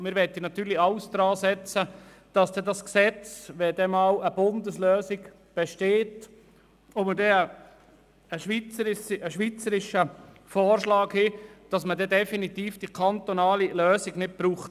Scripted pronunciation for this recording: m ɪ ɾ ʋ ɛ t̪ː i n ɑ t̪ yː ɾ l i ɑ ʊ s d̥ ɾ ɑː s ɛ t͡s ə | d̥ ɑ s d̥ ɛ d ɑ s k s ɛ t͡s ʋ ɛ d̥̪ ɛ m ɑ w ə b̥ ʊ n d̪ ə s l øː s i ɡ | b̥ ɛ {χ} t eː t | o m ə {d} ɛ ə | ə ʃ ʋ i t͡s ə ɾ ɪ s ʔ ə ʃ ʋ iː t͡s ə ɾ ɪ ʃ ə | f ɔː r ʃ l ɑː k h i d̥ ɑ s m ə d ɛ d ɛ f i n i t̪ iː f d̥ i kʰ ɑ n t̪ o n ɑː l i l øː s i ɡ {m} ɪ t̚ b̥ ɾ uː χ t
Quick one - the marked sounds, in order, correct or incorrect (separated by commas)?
incorrect, correct, incorrect